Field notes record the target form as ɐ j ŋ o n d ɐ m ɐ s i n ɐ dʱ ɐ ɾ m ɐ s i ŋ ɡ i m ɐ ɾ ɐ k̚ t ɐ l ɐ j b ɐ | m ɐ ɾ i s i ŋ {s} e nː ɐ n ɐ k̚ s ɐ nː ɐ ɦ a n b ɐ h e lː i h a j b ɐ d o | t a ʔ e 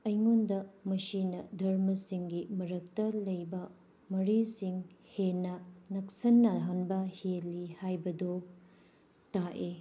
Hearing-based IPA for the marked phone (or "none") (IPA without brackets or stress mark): h